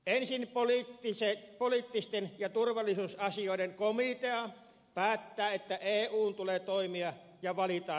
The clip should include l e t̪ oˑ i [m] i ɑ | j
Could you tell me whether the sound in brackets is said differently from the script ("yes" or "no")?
no